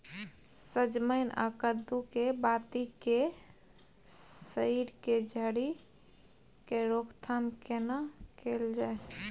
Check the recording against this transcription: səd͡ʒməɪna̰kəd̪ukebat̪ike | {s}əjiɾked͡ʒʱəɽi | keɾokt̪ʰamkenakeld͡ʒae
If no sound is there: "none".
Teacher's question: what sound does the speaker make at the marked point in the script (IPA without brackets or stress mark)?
s